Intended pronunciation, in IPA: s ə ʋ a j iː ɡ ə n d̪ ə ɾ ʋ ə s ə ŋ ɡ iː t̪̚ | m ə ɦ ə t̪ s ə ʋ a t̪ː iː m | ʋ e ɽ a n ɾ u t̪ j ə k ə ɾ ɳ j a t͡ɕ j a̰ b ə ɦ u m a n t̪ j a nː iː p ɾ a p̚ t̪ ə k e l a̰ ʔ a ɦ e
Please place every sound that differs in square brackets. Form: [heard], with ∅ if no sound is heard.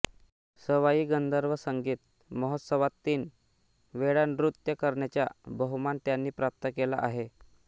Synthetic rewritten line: s ə ʋ a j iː ɡ ə n d̪ ə ɾ ʋ ə s ə ŋ ɡ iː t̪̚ | m ə ɦ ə t̪ s ə ʋ a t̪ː iː [n] | ʋ e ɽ a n ɾ u t̪ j ə k ə ɾ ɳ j a t͡ɕ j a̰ b ə ɦ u m a n t̪ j a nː iː p ɾ a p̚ t̪ ə k e l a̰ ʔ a ɦ e